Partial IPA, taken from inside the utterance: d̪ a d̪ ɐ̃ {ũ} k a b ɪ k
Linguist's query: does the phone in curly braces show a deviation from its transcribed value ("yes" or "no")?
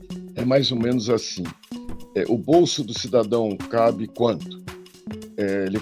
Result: yes